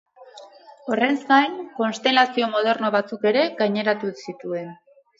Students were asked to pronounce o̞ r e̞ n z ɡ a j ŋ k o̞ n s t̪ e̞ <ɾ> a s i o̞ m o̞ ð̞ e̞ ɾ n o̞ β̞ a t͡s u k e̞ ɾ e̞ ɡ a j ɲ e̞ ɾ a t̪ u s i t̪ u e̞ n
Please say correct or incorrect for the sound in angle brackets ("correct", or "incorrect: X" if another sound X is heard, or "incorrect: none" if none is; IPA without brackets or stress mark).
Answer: incorrect: l